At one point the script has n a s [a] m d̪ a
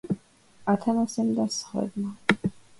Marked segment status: incorrect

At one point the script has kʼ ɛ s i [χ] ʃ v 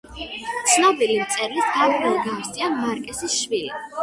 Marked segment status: incorrect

